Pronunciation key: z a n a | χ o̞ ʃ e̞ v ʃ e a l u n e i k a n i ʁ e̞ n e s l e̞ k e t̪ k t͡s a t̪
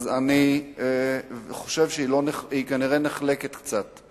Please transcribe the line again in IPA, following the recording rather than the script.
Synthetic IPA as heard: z a n i | χ o̞ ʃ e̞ v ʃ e i l o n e i k a n i ʁ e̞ n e χ l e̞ k e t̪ k t͡s a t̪